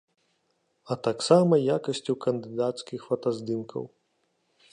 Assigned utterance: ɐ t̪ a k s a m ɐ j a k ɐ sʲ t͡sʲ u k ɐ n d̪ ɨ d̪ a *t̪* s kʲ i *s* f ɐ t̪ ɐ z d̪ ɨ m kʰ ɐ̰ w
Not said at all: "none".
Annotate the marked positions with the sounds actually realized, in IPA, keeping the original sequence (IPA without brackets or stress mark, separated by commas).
t̪, x